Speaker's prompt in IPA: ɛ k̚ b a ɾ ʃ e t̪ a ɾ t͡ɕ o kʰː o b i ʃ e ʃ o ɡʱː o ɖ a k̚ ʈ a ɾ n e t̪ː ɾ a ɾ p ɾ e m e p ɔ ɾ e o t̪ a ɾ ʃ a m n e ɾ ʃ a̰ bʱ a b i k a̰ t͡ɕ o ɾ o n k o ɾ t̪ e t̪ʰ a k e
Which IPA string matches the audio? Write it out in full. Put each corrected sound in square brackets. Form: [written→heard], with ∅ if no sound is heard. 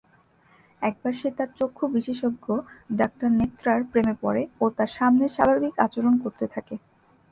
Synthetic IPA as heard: ɛ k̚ b a ɾ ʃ e t̪ a ɾ t͡ɕ o kʰː o b i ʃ e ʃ o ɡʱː o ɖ a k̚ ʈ a ɾ n e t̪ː ɾ a ɾ p ɾ e m e p ɔ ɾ e o t̪ a ɾ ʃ a m n e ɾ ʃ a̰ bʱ a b i k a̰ t͡ɕ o ɾ o n k o ɾ t̪ e t̪ʰ a k e